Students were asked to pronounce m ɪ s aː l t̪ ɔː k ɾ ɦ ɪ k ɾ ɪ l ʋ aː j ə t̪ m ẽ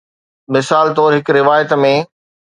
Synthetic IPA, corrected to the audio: m ɪ s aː l t̪ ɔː ɾ ɦ ɪ k ɾ ɪ ʋ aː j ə t̪ m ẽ